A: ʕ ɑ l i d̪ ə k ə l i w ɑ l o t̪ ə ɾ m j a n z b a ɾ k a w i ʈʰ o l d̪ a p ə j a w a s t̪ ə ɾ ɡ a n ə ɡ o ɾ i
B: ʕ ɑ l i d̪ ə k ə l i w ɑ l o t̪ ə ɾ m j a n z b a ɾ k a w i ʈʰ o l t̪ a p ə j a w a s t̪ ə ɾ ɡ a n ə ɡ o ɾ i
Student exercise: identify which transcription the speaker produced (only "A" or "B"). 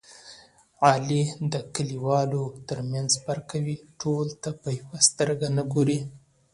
B